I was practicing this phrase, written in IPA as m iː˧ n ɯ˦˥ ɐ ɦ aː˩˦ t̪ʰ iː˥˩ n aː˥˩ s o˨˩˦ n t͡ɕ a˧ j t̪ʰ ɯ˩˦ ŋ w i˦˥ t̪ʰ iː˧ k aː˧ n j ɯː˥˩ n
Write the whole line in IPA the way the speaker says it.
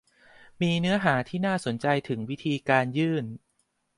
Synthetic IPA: m iː˧ n ɯ˦˥ ɐ ɦ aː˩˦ t̪ʰ iː˥˩ n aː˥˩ s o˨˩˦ n t͡ɕ a˧ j t̪ʰ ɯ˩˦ ŋ w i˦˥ t̪ʰ iː˧ k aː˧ n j ɯː˥˩ n